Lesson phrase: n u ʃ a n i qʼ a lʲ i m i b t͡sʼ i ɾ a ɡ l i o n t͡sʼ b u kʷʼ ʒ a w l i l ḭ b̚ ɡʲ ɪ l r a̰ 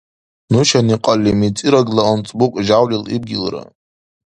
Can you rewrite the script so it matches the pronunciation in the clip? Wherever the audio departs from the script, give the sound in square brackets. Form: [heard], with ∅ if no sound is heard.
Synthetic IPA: n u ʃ a n i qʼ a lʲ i m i [∅] t͡sʼ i ɾ a ɡ l [a] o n t͡sʼ b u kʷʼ ʒ a w l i l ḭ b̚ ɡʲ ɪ l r a̰